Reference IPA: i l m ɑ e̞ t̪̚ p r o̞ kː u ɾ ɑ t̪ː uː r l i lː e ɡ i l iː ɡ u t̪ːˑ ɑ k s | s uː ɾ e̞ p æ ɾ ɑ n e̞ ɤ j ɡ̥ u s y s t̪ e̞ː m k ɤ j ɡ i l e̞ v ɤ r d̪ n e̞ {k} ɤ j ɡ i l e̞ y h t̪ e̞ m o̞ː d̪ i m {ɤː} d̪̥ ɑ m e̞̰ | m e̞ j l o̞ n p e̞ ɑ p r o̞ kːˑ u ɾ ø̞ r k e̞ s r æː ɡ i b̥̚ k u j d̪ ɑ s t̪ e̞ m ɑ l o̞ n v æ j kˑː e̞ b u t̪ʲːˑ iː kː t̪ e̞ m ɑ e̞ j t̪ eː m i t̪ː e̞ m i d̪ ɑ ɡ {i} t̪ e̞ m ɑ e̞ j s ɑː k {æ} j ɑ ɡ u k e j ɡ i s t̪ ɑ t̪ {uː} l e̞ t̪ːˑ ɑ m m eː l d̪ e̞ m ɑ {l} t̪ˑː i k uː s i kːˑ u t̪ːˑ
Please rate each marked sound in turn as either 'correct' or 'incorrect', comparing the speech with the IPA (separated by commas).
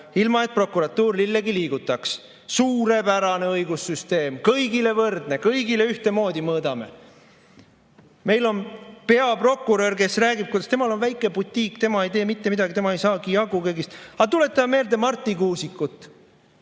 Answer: correct, correct, correct, incorrect, incorrect, incorrect